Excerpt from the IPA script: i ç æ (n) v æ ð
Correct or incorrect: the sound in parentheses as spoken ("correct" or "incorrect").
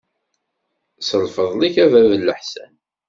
incorrect